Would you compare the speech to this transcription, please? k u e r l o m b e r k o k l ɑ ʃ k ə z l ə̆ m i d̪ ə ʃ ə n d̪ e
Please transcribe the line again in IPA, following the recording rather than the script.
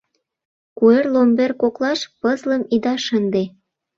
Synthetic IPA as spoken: k u e r l o m b e r k o k l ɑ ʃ p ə z l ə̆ m i d̪ ɑ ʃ ə n d̪ e

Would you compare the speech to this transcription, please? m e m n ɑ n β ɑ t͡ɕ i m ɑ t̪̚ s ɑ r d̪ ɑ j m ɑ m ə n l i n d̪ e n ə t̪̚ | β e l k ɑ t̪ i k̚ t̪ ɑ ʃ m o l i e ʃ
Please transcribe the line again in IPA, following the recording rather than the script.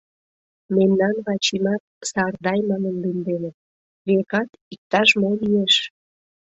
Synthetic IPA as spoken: m e m n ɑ n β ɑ t͡ɕ i m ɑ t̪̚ s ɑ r d̪ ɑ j m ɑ n ə n l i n d̪ e n ə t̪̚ | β e k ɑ t̪ i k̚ t̪ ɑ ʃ m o l i e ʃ

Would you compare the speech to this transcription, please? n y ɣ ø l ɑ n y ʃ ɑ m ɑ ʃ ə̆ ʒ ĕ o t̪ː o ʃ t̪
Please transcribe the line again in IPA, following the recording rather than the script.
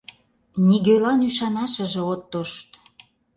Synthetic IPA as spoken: n i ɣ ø l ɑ n y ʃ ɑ n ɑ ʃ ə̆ ʒ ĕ o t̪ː o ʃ t̪

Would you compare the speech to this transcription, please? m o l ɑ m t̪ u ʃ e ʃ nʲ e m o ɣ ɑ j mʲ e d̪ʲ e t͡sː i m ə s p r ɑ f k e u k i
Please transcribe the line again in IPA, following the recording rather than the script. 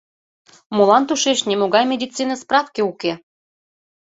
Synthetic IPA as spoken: m o l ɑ n t̪ u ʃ e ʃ nʲ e m o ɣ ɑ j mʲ e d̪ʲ i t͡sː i n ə s p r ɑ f k e u k e

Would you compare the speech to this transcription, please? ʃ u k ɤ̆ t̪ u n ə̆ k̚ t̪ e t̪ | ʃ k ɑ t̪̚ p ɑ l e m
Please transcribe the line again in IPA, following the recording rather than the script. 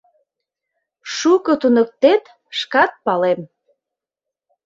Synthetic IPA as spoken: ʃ u k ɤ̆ t̪ u n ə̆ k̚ t̪ e t̪ | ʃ k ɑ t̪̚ p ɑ l e m

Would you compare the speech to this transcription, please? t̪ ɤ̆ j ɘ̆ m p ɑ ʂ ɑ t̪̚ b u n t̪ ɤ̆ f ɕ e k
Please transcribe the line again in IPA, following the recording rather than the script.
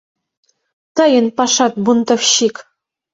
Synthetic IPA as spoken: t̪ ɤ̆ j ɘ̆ n p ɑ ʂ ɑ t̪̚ b u n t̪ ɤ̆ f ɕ i k

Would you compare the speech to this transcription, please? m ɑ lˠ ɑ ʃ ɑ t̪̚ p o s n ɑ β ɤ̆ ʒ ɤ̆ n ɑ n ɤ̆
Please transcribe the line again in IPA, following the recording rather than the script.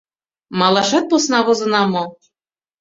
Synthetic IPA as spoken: m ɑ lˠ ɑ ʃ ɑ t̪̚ p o s n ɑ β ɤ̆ z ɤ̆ n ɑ m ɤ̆

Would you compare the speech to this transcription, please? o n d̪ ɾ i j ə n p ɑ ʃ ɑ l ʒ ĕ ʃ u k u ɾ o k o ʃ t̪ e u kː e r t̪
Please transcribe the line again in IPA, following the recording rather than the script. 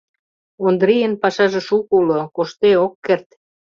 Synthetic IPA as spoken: o n d̪ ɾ i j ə n p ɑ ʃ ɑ ʒ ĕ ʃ u k u l o k o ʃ t̪ e o kː e r t̪

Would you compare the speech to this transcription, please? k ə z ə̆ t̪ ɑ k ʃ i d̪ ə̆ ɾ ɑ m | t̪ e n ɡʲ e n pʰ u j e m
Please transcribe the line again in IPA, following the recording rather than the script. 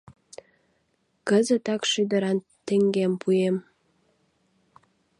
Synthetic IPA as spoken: k ə z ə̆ t̪ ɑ k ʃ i d̪ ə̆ ɾ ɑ n | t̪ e ŋ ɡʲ e m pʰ u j e m

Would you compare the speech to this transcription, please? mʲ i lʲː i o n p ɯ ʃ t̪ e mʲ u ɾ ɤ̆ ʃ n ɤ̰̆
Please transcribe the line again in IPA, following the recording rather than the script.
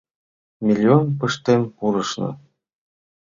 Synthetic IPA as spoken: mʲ i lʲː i o n p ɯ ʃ t̪ e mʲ u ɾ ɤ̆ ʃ n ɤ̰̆

